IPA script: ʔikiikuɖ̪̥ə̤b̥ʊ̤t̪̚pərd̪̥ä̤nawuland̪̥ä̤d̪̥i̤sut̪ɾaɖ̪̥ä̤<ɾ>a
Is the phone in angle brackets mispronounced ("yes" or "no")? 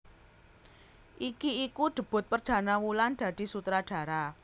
no